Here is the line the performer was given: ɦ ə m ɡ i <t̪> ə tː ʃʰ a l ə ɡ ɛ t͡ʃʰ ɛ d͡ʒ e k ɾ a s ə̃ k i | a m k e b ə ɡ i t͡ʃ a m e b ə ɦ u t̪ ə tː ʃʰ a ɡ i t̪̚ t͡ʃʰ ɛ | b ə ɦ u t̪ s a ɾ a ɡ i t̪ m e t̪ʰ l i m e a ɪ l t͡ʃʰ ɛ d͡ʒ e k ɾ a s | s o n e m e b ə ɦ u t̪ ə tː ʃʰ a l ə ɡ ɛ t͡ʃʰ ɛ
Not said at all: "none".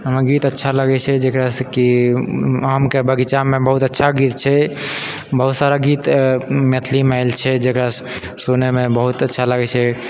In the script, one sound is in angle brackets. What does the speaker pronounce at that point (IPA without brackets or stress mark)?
t̪